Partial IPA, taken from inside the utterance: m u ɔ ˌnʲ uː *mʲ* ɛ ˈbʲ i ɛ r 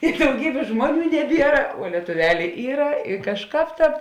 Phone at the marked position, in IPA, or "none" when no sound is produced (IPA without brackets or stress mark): nʲ